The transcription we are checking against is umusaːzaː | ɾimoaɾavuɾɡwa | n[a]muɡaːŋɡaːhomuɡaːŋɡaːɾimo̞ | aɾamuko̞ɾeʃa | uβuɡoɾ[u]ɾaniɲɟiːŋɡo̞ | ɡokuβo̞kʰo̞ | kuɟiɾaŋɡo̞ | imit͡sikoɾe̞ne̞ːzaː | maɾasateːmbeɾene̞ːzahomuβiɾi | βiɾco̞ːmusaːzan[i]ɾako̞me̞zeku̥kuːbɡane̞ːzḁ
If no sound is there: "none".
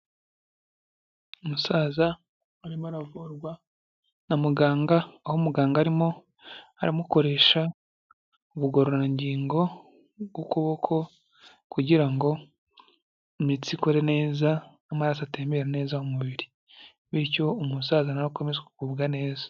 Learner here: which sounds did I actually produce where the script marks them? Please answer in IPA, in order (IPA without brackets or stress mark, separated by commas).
a, o, a